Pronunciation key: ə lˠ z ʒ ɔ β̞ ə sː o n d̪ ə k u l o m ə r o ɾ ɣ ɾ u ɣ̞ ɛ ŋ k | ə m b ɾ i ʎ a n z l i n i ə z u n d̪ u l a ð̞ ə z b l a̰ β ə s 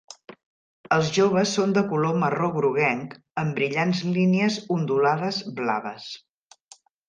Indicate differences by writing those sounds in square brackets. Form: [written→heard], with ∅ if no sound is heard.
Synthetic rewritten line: ə lˠ z ʒ [ɔ→o] β̞ ə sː o n d̪ ə k u l o m ə r o [ɾ→∅] ɣ ɾ u ɣ̞ ɛ ŋ k | ə m b ɾ i ʎ a n z l i n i ə z u n d̪ u l a ð̞ ə z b l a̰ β ə s